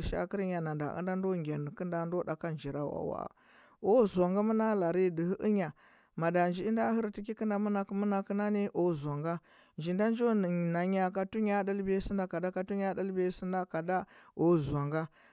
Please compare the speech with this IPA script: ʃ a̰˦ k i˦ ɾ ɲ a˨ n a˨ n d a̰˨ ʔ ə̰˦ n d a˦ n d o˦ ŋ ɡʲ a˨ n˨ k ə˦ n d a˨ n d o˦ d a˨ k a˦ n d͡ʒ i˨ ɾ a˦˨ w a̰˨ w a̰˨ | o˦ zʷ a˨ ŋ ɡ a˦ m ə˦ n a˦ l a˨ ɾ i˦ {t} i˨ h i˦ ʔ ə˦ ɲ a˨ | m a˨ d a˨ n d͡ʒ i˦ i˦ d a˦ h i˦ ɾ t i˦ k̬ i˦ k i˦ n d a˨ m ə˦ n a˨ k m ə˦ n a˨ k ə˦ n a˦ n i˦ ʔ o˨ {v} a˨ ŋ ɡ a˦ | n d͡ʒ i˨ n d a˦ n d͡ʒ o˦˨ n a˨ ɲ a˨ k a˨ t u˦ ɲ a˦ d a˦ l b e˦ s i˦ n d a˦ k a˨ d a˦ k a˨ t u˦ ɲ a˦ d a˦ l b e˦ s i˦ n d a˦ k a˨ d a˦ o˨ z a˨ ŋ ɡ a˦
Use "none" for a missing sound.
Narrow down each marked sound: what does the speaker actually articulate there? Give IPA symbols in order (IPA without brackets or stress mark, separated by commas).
d, z